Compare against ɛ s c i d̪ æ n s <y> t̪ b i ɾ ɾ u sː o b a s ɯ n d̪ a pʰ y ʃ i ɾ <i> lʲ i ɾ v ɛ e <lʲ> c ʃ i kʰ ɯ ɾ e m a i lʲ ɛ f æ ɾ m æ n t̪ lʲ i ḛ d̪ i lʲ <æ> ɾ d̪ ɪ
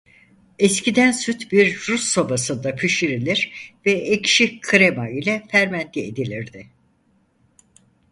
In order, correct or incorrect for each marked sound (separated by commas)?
correct, correct, incorrect, incorrect